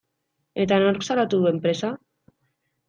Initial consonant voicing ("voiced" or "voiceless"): voiceless